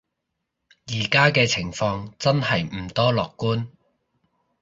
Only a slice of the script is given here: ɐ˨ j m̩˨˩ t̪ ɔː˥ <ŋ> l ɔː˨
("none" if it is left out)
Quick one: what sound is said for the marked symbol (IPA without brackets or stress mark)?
none